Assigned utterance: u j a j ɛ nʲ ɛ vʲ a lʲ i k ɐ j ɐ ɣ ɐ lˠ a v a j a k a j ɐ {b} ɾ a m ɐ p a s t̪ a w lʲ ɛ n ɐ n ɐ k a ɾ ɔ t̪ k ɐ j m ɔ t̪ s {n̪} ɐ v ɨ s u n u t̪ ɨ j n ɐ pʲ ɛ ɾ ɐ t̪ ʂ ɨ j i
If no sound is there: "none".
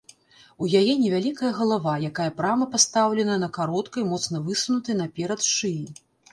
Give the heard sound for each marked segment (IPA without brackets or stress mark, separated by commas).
p, n̪